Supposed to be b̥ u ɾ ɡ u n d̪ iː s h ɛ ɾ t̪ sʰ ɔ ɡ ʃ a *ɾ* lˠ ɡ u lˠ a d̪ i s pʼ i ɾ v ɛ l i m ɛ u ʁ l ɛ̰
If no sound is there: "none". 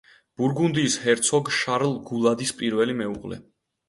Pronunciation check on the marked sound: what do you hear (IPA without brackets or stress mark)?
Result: ɾ